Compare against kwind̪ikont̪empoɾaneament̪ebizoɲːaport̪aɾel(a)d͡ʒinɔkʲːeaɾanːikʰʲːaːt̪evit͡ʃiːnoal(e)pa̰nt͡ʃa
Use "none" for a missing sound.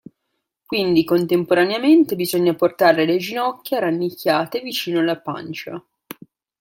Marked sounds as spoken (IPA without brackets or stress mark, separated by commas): e, a